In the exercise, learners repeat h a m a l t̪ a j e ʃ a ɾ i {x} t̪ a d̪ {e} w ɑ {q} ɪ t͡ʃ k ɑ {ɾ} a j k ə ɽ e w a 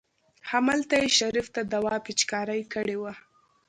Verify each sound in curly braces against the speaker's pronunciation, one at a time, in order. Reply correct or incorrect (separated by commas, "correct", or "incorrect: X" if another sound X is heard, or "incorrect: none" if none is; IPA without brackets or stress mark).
incorrect: f, incorrect: a, incorrect: p, correct